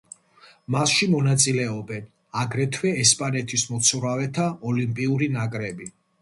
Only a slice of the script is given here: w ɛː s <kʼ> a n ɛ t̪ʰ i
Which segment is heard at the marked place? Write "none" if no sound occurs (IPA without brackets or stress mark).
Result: pʼ